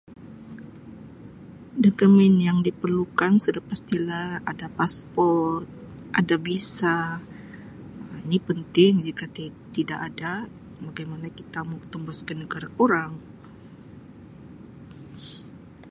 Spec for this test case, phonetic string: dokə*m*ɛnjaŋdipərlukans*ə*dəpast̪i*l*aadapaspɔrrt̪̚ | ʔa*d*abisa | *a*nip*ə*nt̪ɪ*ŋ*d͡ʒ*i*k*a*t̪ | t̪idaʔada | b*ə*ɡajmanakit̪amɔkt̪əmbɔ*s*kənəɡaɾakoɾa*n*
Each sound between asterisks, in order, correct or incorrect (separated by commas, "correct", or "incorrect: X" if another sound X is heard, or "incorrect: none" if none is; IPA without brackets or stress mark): correct, correct, correct, correct, incorrect: i, correct, correct, correct, correct, incorrect: a, correct, incorrect: ŋ